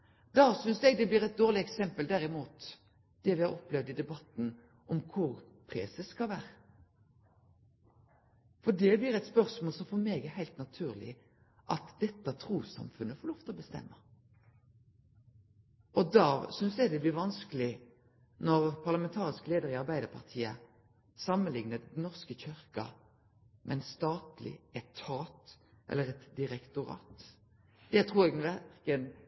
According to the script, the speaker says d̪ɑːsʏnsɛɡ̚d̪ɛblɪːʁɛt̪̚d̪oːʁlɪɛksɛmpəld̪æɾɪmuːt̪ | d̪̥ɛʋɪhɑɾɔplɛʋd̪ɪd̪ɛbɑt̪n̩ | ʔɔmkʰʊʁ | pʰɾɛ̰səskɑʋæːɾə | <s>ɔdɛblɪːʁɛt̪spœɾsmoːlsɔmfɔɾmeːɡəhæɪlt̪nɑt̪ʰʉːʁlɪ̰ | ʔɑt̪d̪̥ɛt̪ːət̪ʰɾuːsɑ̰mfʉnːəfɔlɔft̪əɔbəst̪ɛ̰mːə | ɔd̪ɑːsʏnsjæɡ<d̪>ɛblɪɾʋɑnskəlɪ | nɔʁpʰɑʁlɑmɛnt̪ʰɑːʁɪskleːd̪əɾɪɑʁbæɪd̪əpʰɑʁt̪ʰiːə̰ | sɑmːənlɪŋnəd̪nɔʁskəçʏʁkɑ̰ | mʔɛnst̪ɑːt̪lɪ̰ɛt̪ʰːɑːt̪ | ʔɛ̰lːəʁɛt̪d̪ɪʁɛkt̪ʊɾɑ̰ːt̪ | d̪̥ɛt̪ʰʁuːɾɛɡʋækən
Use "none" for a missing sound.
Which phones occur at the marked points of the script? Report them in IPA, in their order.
f, d̪

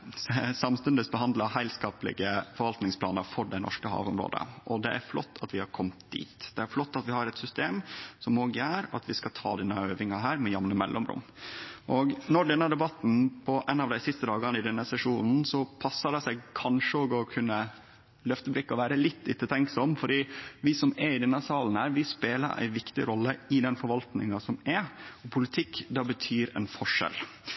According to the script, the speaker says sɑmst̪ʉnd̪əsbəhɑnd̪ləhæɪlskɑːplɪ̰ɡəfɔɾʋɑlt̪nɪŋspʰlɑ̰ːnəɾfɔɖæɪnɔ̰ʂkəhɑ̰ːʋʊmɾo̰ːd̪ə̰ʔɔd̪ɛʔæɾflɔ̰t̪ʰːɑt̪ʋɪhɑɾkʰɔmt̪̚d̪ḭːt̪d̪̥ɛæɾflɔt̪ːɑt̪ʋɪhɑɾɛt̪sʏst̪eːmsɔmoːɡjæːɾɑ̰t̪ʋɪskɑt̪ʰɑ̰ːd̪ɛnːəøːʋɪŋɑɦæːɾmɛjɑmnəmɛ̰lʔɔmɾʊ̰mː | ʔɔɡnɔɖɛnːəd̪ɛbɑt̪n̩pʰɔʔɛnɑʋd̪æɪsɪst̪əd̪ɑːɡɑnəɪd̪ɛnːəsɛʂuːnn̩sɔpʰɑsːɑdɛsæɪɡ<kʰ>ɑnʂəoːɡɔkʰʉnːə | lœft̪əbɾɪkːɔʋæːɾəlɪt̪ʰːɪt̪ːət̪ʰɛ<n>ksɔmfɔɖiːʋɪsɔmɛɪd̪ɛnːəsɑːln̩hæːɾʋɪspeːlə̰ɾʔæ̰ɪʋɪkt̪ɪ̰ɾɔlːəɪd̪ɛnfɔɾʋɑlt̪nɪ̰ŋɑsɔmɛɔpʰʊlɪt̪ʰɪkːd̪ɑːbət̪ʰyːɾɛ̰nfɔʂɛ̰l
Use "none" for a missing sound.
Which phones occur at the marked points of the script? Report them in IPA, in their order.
kʰ, ŋ

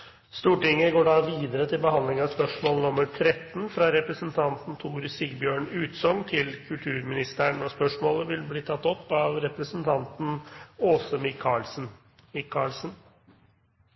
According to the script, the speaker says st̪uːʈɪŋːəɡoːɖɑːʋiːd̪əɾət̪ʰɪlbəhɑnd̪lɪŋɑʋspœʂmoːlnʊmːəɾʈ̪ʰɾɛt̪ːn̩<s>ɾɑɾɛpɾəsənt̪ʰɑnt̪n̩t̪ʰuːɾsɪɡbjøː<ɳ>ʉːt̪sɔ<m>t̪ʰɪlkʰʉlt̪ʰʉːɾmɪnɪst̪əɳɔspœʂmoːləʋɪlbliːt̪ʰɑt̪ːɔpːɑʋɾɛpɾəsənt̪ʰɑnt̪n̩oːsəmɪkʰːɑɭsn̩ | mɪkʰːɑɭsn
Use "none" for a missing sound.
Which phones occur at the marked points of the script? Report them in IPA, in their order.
f, ɳ, ŋ

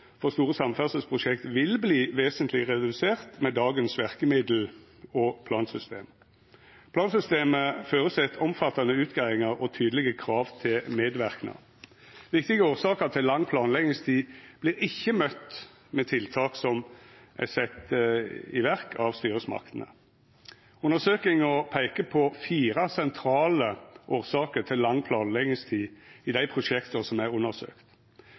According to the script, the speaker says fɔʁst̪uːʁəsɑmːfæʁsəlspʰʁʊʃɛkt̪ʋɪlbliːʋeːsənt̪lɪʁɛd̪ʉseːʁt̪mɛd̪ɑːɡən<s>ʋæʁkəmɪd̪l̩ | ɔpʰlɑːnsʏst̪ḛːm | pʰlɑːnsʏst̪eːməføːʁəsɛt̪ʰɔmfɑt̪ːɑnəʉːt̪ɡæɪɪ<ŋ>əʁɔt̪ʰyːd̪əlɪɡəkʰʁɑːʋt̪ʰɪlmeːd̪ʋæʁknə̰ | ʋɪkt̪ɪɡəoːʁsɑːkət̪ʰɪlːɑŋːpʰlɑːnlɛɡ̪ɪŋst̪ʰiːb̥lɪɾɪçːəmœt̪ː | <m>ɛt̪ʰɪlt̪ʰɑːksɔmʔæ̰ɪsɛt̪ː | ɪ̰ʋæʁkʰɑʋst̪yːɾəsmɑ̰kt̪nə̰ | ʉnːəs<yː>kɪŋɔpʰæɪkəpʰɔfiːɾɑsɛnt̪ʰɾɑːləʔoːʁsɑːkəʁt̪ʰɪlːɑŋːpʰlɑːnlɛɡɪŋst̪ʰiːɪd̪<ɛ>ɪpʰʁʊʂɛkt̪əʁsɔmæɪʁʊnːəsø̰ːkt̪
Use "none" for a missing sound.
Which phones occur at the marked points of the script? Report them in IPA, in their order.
s, ŋ, m, øː, æ

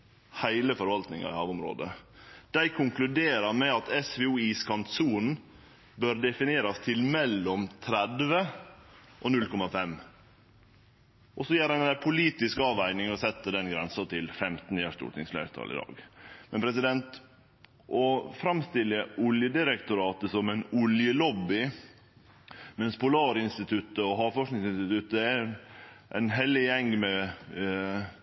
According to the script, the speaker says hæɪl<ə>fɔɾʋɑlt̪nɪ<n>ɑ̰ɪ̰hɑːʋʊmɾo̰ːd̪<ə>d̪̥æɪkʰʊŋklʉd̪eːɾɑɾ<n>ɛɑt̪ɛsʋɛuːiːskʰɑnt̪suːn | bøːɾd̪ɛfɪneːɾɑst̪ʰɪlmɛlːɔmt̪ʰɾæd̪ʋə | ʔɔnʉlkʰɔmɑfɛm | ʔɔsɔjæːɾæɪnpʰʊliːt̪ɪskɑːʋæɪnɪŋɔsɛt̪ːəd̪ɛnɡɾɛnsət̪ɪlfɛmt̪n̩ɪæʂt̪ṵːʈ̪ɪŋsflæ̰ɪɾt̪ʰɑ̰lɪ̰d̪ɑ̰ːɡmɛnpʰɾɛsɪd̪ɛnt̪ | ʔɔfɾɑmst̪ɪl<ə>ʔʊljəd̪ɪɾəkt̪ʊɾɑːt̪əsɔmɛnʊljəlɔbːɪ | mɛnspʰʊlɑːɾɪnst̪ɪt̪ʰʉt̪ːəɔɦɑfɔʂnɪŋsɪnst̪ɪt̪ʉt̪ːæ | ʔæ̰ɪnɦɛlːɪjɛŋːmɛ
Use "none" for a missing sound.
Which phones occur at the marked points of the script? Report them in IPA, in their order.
ə, ŋ, ə, m, ə

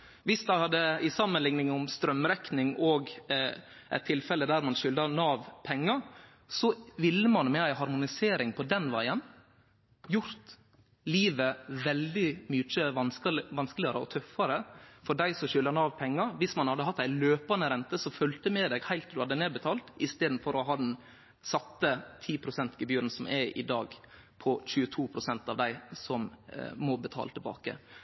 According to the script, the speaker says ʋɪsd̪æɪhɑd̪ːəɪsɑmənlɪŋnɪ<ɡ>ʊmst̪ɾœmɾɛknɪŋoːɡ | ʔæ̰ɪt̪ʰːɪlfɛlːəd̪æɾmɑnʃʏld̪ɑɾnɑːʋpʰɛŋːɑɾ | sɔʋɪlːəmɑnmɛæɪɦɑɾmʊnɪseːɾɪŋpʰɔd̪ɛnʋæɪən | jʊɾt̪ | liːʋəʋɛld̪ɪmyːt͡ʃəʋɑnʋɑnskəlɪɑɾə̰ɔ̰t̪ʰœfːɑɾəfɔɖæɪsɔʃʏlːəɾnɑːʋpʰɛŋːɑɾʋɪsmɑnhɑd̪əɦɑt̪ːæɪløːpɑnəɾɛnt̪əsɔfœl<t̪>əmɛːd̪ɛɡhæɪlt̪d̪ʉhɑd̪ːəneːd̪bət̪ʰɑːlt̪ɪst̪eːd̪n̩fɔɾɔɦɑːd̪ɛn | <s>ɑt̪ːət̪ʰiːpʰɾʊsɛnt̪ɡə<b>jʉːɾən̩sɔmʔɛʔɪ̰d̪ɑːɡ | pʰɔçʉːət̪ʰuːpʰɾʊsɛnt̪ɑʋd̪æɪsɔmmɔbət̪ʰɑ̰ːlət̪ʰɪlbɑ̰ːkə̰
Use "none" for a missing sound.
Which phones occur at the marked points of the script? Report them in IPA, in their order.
ŋ, t̪, s, b

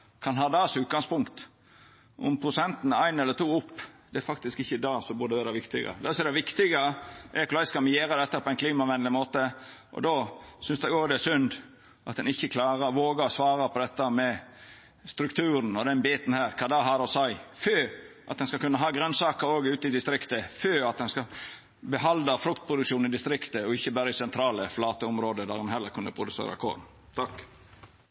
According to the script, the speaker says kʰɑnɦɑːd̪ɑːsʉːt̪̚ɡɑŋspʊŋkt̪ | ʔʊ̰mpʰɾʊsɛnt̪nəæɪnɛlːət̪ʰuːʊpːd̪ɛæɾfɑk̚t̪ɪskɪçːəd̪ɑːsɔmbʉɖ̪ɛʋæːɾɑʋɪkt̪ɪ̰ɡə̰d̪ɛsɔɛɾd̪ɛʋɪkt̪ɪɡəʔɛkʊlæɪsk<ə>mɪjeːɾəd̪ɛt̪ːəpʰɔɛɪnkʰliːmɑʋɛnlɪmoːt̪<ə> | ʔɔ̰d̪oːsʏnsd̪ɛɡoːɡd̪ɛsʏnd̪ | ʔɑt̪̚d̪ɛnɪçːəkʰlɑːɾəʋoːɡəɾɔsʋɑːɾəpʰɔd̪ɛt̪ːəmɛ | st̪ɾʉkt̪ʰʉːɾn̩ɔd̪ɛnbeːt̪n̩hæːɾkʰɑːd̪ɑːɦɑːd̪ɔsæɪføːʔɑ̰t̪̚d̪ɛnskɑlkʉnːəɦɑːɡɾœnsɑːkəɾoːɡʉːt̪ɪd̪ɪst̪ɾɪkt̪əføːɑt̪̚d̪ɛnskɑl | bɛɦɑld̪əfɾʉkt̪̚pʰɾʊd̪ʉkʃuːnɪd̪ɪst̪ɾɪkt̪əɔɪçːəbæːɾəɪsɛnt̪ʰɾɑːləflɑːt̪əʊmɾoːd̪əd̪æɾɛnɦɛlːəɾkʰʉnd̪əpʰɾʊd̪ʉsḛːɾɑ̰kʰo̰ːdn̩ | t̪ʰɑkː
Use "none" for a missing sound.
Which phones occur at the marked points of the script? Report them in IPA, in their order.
ɑ, ə

